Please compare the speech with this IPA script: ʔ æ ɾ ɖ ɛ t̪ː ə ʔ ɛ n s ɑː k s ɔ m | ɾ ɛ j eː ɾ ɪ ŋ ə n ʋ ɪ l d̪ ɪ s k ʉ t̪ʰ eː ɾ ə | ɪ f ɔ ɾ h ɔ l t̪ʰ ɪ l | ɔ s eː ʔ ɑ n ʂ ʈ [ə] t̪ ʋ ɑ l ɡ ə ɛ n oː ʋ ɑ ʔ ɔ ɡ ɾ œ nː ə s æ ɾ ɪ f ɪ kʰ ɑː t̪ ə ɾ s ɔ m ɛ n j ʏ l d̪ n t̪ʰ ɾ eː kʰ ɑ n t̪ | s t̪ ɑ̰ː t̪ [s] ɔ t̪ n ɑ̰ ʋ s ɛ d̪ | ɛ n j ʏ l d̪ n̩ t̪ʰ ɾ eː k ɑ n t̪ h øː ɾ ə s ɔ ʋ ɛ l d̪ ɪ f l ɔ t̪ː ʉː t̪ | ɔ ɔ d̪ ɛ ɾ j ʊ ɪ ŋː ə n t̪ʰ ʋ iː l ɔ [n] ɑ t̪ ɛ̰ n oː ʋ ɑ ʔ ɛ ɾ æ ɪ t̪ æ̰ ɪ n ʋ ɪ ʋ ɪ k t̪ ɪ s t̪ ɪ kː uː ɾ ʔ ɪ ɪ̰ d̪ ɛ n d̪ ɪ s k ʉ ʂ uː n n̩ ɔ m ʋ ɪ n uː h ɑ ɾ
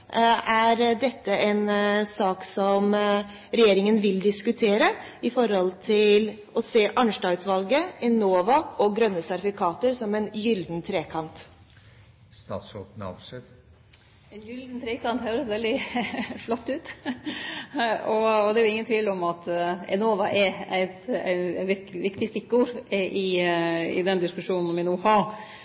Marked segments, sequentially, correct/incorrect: incorrect: ɑ, correct, incorrect: m

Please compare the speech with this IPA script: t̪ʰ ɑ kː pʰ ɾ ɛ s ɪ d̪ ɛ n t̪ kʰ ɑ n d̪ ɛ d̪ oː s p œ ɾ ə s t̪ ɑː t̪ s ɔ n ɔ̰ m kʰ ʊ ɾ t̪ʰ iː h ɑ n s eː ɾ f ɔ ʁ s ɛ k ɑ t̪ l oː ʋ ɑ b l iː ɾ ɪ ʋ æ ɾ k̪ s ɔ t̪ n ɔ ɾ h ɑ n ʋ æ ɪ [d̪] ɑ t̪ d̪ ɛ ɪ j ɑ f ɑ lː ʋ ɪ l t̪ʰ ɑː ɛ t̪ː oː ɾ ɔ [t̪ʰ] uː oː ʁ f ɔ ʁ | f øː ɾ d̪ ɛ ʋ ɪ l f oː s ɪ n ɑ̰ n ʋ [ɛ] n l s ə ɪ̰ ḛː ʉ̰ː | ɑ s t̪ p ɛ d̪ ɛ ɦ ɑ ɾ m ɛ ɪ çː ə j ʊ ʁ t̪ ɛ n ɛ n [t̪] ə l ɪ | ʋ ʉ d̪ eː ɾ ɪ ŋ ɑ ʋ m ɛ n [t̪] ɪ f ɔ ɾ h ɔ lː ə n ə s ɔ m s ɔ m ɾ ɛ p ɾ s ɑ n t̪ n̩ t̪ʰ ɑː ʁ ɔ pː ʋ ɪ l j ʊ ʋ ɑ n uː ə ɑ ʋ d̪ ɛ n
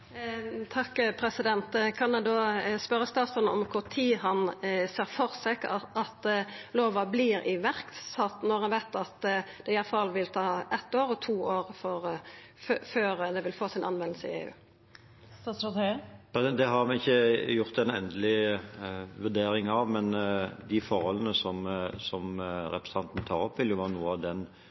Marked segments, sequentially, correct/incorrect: incorrect: t̪, correct, correct, incorrect: d̪, incorrect: d̪

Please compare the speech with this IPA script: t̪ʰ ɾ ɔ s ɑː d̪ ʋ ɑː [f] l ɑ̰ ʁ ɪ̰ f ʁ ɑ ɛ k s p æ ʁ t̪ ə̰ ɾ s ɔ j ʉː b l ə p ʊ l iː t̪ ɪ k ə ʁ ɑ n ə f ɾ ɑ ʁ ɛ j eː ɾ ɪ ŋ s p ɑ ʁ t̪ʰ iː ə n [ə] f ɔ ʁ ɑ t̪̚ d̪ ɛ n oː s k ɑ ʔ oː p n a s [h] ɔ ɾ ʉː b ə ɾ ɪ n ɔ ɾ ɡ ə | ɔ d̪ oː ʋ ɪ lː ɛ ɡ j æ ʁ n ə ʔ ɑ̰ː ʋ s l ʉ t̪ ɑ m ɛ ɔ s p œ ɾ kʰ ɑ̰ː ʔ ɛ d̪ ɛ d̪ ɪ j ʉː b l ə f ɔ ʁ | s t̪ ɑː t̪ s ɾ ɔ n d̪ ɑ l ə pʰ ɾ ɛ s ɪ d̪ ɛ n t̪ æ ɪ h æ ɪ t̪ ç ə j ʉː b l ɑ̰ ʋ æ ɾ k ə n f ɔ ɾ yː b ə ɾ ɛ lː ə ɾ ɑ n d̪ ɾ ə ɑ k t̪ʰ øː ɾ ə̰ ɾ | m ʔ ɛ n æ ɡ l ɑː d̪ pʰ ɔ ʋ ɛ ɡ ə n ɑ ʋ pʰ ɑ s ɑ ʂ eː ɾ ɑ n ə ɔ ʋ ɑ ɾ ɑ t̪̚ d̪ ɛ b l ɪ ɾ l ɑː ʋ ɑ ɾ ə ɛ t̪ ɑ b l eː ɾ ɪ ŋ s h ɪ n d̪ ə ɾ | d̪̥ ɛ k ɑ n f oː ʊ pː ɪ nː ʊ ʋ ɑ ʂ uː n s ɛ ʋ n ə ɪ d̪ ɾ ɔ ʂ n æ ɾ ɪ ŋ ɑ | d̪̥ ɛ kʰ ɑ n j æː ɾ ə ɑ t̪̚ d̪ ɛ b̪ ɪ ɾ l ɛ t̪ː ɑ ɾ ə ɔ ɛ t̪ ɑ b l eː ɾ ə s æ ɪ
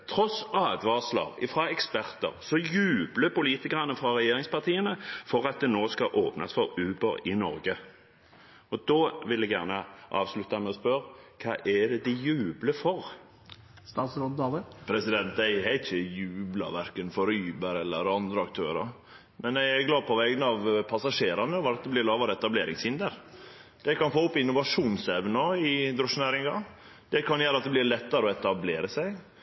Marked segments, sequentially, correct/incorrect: incorrect: s, correct, incorrect: f

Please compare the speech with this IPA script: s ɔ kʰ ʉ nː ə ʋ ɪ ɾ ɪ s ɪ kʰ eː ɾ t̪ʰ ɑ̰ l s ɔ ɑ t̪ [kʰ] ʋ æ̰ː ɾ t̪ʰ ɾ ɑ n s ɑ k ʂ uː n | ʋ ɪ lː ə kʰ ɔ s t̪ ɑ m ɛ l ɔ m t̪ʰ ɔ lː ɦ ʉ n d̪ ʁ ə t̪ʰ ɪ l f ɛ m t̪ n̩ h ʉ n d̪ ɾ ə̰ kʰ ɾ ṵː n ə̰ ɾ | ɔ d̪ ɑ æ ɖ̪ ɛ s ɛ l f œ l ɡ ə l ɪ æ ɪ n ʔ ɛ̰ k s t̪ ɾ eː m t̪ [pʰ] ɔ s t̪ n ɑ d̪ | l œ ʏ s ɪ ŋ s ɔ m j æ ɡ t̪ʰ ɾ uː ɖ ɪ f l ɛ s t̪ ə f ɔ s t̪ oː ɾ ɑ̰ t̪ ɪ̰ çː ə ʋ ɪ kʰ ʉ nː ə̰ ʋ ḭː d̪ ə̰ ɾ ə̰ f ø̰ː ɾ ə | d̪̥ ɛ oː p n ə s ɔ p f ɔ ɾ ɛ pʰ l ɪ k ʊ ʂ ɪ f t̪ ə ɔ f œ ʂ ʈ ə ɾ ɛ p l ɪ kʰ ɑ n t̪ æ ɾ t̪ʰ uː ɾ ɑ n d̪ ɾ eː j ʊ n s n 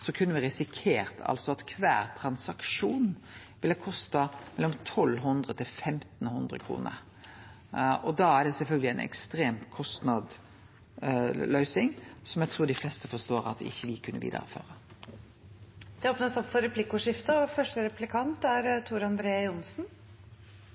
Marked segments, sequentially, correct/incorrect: correct, incorrect: kʰ

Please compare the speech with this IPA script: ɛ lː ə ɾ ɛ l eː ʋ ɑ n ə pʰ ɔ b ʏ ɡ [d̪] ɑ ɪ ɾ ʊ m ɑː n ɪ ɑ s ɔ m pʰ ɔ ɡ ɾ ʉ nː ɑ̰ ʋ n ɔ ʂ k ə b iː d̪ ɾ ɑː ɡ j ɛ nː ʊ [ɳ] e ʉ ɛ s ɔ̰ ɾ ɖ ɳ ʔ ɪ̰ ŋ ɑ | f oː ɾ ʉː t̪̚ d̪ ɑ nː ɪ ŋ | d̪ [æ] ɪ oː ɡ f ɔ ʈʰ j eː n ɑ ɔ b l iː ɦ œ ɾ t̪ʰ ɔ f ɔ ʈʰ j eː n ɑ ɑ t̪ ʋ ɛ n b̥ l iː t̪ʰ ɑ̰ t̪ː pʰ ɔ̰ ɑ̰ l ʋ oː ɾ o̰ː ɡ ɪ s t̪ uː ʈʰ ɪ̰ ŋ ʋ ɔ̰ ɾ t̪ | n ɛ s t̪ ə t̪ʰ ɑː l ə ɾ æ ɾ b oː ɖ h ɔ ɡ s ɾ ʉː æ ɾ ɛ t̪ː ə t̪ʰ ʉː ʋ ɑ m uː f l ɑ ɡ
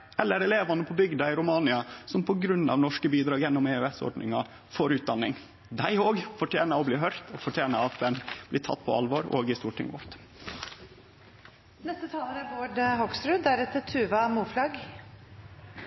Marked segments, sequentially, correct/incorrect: correct, incorrect: m, correct

